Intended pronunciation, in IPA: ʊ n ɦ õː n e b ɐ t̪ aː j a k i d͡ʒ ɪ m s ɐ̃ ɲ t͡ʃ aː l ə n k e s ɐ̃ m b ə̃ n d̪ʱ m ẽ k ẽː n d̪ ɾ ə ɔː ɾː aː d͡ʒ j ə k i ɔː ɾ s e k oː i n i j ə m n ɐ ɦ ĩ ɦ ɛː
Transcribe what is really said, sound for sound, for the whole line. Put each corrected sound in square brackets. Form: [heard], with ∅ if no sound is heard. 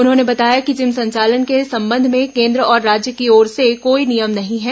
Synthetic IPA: ʊ n ɦ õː n e b ɐ t̪ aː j a k i d͡ʒ ɪ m s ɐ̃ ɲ t͡ʃ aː l ə n k e s ɐ̃ m b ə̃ n d̪ʱ m ẽ k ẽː n d̪ ɾ ə ɔː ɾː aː d͡ʒ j ə k i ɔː ɾ s e k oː i n i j ə m n ɐ ɦ ĩ ɦ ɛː